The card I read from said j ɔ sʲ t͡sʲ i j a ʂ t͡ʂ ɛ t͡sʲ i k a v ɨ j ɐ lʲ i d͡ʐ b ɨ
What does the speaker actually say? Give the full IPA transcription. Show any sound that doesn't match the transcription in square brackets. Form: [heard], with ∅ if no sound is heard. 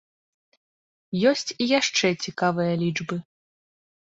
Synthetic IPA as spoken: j ɔ sʲ t͡sʲ i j a ʂ t͡ʂ ɛ t͡sʲ i k a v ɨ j ɐ lʲ i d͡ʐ b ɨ